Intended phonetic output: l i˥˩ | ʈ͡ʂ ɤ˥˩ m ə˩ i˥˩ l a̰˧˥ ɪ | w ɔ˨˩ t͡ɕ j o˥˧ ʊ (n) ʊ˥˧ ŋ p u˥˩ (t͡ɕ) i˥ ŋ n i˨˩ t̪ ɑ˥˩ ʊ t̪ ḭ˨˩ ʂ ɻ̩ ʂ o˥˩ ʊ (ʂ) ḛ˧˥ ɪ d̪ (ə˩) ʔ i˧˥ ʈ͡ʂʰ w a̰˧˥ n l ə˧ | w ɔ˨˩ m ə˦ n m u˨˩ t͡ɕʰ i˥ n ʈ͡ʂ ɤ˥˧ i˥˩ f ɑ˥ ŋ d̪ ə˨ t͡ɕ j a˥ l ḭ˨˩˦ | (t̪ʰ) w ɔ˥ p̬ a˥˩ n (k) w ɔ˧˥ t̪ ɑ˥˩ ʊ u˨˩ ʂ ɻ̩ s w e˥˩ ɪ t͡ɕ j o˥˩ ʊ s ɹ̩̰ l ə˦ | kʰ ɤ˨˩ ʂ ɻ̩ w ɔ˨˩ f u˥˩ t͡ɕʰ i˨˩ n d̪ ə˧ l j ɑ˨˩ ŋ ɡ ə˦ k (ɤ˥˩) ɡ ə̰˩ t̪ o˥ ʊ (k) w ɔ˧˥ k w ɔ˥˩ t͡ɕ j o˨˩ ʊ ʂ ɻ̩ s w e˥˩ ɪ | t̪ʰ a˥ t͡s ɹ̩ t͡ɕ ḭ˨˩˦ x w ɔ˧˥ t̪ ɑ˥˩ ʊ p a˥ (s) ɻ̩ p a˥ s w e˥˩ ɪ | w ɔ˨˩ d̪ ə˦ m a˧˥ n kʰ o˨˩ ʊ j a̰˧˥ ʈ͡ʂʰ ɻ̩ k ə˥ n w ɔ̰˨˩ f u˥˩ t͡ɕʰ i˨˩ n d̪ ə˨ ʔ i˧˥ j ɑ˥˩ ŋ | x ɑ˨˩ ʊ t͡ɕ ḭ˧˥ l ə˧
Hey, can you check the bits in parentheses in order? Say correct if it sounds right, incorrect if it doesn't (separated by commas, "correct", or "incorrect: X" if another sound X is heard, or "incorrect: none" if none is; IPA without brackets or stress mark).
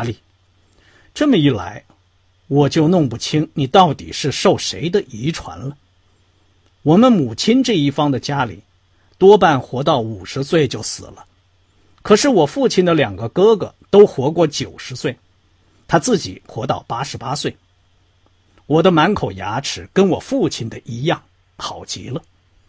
correct, incorrect: t͡ɕʰ, correct, incorrect: ə˧, incorrect: t̪, incorrect: x, incorrect: ɤ˥, incorrect: x, incorrect: ʂ